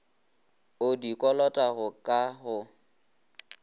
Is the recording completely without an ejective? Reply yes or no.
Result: no